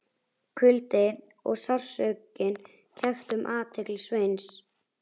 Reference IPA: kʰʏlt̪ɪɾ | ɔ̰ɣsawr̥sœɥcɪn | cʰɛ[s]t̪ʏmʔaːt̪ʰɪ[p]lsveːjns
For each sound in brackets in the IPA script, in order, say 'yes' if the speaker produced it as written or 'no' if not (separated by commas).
no, no